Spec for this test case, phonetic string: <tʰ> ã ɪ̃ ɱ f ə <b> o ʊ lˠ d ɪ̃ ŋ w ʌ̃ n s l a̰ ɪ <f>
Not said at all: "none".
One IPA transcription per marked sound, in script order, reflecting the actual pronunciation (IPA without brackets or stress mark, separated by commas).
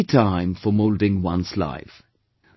tʰ, m, f